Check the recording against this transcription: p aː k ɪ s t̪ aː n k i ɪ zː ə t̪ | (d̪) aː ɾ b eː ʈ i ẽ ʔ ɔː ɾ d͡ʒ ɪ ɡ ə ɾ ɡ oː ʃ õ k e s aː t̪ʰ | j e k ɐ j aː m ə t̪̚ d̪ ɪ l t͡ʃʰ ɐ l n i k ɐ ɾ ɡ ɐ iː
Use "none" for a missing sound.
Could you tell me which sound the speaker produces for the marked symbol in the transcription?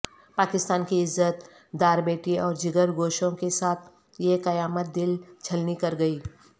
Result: d̪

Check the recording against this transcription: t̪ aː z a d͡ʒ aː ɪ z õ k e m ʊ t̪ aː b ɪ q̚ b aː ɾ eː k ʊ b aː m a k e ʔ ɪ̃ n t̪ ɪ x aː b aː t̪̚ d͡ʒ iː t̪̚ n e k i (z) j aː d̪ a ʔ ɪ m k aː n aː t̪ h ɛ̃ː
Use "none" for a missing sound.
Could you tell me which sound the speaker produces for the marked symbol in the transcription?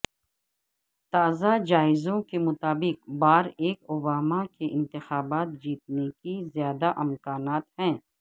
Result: z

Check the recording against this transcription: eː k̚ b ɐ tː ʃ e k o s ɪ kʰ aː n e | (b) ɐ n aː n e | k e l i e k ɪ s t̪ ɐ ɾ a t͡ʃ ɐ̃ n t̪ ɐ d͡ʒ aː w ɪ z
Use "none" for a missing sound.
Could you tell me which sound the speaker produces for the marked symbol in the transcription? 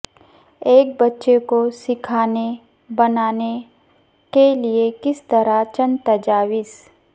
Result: b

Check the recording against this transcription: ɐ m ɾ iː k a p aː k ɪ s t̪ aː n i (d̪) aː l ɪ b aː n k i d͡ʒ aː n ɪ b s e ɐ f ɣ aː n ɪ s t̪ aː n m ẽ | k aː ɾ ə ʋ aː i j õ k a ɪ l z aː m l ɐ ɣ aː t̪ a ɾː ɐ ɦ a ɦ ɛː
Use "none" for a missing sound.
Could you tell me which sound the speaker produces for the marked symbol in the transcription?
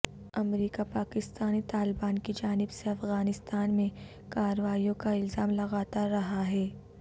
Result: t̪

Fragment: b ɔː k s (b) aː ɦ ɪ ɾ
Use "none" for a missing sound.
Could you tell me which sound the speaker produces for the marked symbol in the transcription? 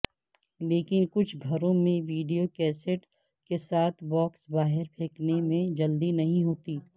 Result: b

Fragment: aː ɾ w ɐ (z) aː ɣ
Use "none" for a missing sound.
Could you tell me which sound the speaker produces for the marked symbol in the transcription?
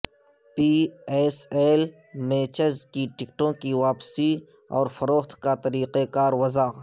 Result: z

